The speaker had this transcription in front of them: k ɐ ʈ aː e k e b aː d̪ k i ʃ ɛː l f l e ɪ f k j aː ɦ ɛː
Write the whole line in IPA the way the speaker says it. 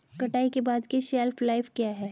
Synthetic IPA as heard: k ɐ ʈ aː i k e b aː d̪ k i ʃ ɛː l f l a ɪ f k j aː ɦ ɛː